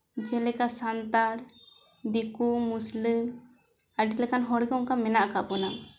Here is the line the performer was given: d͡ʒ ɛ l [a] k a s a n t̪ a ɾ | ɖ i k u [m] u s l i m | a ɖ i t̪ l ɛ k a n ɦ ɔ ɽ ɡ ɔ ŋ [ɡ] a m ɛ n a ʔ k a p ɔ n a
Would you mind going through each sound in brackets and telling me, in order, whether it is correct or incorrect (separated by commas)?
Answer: incorrect, correct, incorrect